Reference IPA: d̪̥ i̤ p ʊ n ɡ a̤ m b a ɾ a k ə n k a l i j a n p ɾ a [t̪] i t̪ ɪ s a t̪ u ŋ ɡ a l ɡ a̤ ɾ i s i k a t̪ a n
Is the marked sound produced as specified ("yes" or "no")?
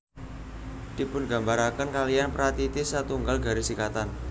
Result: yes